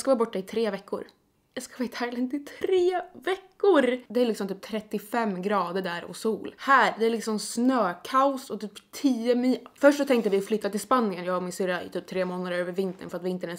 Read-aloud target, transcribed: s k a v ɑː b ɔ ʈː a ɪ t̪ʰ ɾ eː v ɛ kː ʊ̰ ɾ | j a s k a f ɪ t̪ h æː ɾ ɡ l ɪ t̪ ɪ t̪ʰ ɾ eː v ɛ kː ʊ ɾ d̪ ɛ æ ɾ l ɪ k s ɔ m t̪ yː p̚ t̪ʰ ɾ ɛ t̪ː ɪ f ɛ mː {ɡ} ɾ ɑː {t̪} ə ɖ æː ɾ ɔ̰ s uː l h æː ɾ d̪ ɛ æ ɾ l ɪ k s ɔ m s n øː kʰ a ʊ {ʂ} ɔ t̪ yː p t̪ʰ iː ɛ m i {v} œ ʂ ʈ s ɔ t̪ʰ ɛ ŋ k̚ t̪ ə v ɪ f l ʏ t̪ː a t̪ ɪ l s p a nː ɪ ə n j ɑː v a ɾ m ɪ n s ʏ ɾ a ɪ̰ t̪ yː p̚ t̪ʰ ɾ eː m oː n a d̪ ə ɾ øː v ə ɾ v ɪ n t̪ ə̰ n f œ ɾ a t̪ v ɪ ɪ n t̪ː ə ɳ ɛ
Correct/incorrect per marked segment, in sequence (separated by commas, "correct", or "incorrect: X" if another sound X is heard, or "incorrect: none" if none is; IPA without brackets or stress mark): correct, incorrect: d̪, incorrect: s, incorrect: f